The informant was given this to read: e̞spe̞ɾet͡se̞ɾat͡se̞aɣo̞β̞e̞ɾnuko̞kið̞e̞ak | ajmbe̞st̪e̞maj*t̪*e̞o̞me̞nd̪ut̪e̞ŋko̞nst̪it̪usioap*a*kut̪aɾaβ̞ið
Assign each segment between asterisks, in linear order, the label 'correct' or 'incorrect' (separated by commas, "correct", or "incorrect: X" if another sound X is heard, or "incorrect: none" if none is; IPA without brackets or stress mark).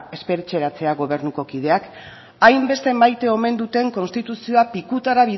correct, incorrect: i